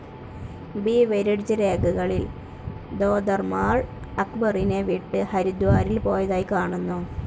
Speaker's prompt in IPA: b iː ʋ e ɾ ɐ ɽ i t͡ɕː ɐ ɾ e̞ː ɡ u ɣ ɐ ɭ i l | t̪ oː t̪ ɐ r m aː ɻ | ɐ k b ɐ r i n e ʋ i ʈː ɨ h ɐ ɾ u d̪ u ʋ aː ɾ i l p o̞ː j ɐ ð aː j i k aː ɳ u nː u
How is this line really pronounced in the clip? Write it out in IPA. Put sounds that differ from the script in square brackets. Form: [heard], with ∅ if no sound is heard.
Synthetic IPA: b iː ʋ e ɾ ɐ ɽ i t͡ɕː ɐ ɾ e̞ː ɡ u ɣ ɐ ɭ i l | [d̪] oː [d̪] ɐ r m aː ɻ | ɐ k b ɐ r i n e ʋ i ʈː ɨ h ɐ ɾ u d̪ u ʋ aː ɾ i l p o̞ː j ɐ ð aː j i k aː ɳ u nː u